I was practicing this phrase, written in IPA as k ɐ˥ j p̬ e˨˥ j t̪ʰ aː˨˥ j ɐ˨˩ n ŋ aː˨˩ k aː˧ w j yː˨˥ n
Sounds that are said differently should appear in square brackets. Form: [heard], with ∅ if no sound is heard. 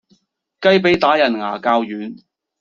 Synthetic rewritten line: k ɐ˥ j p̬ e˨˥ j [t̪] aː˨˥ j ɐ˨˩ n ŋ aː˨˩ k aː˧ w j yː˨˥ n